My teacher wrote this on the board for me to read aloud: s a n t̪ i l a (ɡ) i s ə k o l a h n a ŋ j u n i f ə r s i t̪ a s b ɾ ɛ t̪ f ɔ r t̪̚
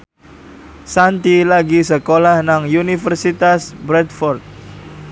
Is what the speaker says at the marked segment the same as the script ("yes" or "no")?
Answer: yes